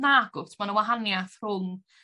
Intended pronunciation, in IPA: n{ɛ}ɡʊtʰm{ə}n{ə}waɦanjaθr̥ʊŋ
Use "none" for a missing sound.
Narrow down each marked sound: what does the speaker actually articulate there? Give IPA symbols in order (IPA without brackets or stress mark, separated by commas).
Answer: a, a, ə